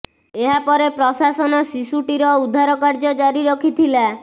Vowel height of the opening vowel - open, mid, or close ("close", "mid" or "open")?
mid